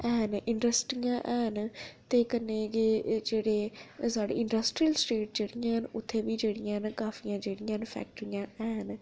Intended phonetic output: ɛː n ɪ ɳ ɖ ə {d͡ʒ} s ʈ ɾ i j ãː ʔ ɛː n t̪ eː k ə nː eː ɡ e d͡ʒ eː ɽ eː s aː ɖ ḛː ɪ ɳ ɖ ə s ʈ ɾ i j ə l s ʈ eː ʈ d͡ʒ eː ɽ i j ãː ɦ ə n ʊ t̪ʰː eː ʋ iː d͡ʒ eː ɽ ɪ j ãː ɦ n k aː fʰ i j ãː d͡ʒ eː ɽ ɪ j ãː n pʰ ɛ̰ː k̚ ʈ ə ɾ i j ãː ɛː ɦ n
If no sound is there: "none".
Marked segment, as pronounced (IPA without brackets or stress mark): none